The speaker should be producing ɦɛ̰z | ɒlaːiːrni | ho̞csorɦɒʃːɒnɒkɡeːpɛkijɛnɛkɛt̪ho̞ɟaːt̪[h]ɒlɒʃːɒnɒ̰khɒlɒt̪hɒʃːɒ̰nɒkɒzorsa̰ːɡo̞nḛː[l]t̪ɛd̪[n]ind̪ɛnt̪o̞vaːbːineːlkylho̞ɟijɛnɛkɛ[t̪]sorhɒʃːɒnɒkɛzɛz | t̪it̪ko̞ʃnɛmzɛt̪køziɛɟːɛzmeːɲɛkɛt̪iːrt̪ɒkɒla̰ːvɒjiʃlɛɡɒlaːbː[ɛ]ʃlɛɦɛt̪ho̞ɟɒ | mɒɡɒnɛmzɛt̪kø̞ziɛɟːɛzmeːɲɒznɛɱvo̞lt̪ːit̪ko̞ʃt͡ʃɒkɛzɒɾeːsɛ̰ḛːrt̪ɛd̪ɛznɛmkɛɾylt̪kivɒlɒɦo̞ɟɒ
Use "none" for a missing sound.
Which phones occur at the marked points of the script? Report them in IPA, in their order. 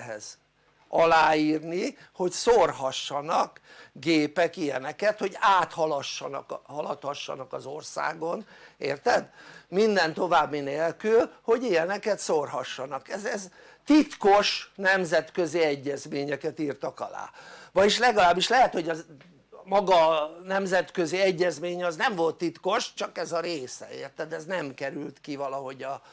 h, r, m, t̪, i

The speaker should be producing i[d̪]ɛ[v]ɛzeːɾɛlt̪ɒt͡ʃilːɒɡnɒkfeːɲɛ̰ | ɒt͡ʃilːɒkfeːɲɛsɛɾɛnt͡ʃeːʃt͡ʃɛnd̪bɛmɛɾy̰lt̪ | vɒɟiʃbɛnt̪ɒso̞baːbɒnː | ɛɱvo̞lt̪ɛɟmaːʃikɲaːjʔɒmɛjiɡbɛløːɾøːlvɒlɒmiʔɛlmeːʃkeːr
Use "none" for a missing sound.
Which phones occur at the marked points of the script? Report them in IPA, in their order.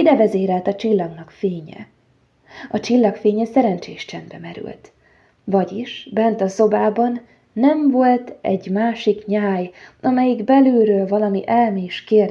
d̪, v

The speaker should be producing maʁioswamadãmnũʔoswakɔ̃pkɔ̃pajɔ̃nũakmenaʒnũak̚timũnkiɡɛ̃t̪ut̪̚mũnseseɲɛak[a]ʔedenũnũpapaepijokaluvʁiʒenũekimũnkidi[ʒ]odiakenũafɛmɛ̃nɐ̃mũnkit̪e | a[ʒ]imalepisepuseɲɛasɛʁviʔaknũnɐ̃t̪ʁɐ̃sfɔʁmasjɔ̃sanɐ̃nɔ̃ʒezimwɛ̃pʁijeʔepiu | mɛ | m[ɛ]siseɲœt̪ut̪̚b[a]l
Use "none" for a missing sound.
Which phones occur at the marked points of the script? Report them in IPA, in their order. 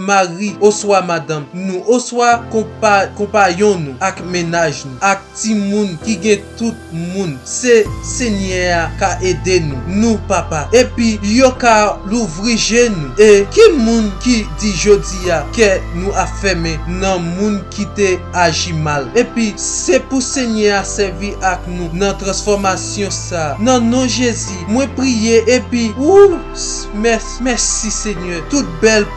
a, ʒ, ʒ, ɛ, ɛ

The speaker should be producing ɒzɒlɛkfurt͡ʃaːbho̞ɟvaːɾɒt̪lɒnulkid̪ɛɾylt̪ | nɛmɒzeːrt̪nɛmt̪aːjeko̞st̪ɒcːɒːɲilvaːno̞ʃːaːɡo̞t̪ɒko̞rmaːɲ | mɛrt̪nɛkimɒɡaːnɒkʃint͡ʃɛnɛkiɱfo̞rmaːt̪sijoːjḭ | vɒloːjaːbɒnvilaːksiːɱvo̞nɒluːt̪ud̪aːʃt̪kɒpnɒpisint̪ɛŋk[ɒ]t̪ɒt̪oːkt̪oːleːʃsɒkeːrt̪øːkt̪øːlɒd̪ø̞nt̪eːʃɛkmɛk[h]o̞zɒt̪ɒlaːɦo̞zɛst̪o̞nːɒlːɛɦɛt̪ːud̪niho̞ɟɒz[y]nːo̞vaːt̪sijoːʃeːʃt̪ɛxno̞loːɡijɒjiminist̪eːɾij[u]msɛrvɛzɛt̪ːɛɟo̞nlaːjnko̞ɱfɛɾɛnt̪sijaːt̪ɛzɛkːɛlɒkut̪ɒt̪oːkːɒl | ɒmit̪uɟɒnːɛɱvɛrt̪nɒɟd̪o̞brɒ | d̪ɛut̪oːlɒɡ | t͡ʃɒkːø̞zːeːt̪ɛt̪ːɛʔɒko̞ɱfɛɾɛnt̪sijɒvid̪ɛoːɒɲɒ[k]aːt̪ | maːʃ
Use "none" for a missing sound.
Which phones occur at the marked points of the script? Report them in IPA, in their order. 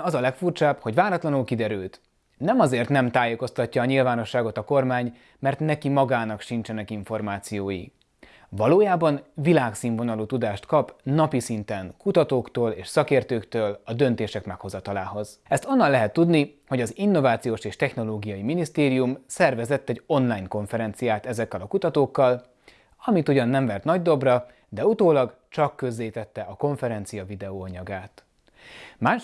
u, h, i, u, ɡ

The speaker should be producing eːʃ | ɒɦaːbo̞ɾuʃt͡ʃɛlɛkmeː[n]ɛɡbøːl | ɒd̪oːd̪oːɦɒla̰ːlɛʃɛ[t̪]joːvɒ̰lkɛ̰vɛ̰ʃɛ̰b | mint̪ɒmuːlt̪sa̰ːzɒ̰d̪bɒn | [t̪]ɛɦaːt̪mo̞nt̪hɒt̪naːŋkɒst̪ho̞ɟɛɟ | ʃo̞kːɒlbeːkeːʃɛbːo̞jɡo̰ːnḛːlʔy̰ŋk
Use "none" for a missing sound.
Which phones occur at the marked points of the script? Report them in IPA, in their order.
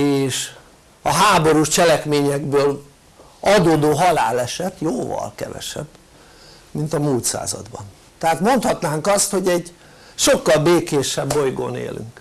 ɲ, t̪, t̪

